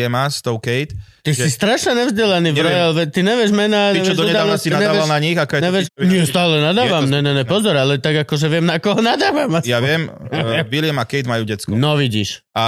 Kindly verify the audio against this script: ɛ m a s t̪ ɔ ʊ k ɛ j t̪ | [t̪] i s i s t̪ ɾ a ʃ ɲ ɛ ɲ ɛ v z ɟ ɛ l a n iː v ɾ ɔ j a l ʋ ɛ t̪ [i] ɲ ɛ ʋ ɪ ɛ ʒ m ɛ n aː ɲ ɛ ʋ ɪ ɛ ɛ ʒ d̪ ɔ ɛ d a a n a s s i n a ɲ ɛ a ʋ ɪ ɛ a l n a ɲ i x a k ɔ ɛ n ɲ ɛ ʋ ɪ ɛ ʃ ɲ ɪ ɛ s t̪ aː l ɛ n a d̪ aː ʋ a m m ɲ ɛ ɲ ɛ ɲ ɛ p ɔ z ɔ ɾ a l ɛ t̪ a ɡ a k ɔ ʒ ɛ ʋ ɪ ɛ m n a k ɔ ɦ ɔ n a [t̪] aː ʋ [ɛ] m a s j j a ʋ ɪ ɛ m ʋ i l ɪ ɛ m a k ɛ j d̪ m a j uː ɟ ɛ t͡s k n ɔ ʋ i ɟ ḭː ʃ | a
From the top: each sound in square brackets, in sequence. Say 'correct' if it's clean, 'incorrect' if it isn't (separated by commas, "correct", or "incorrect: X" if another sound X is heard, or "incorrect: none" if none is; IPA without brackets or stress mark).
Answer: correct, correct, incorrect: d̪, incorrect: a